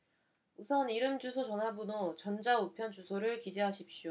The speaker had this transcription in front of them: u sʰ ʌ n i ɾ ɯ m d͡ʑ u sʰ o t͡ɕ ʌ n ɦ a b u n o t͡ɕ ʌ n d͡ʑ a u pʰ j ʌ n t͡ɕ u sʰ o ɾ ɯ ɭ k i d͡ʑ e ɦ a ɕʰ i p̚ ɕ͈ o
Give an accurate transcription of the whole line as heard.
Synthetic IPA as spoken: u sʰ ʌ n i ɾ ɯ m d͡ʑ u sʰ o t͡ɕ ʌ n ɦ a b u n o t͡ɕ ʌ n d͡ʑ a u pʰ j ʌ n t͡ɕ u sʰ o ɾ ɯ ɭ k i d͡ʑ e ɦ a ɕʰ i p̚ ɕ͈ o